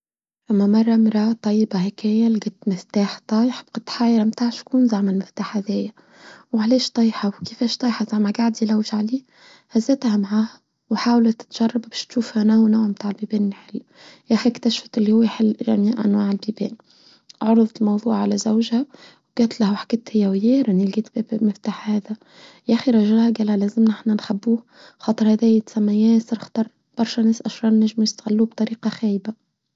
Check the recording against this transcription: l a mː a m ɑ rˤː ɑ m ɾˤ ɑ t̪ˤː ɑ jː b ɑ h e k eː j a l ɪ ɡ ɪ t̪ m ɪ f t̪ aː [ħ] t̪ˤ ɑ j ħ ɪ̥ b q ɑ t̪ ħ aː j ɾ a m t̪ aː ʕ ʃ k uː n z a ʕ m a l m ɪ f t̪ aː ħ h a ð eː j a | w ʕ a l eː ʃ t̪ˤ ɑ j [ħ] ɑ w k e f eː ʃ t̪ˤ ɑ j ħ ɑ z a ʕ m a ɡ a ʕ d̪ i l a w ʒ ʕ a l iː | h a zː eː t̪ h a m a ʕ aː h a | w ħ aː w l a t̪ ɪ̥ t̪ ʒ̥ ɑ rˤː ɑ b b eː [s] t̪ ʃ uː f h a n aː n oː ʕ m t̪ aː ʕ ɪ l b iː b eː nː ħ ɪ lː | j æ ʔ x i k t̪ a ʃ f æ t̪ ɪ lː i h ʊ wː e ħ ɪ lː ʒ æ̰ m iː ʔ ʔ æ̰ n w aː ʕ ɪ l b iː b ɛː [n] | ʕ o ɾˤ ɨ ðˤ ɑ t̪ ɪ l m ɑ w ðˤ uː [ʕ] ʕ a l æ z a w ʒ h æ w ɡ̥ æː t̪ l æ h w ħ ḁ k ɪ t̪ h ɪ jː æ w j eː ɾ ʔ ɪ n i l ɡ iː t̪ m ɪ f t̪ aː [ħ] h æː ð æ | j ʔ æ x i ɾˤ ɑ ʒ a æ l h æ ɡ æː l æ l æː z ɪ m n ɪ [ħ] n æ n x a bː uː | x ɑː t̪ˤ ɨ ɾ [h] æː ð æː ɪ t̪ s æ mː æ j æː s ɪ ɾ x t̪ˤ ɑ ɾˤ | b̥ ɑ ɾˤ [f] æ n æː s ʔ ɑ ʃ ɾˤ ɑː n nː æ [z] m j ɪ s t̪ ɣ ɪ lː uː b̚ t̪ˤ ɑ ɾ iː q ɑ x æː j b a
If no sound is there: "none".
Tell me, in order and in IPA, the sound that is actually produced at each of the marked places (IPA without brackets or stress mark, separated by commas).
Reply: ħ, ħ, ʃ, n, ʕ, ħ, ħ, h, ʃ, ʒ